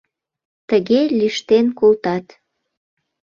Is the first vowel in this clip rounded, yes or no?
no